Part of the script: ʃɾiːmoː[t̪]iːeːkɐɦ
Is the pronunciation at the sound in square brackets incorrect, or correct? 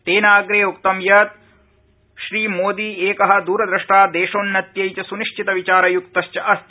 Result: incorrect